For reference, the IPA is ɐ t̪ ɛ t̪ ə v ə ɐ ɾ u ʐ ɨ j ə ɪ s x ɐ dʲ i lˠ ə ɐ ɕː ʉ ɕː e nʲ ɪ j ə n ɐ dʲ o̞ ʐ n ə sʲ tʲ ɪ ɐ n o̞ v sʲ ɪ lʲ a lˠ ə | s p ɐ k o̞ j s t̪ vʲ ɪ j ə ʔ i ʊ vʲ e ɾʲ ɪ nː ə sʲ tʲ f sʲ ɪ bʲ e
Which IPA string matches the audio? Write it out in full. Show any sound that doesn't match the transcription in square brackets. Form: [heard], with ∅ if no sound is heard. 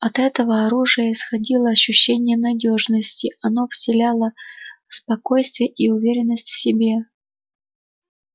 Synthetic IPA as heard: ɐ t̪ ɛ t̪ ə v ə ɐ ɾ u ʐ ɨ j ə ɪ s x ɐ dʲ i lˠ ə ɐ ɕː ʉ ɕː e nʲ ɪ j ə n ɐ dʲ o̞ ʐ n ə sʲ tʲ ɪ ɐ n o̞ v sʲ ɪ lʲ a lˠ ə | s p ɐ k o̞ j s t̪ vʲ ɪ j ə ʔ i ʊ vʲ e ɾʲ ɪ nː ə sʲ tʲ f sʲ ɪ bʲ e